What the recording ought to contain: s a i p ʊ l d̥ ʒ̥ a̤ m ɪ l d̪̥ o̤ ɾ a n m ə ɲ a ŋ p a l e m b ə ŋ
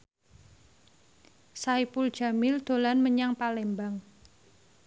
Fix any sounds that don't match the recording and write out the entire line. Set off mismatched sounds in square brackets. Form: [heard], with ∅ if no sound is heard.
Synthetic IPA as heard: s a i p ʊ l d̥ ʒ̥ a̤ m ɪ l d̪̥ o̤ [l] a n m ə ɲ a ŋ p a l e m b [a] ŋ